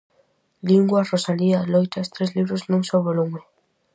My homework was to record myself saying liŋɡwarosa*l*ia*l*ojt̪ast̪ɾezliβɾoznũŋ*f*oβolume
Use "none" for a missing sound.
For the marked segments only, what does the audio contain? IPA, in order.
l, l, s

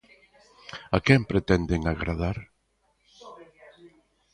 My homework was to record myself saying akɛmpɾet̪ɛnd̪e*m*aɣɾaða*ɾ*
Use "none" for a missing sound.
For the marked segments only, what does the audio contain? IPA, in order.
ŋ, ɾ

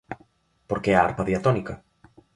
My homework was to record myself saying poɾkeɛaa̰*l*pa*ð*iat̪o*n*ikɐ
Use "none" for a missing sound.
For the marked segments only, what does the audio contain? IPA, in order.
ɾ, ð, n

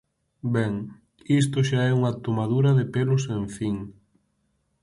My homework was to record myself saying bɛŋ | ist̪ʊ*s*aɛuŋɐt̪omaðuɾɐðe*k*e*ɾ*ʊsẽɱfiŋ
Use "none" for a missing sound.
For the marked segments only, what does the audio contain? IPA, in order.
ʃ, p, l

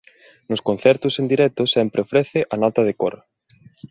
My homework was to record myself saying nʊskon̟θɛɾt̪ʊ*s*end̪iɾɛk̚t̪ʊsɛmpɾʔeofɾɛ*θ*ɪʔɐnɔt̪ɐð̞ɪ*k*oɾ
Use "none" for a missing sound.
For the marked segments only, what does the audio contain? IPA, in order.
s, θ, k

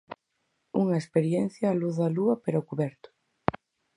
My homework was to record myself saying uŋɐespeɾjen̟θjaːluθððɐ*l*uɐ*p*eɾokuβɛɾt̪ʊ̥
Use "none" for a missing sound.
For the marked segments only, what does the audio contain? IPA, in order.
l, p

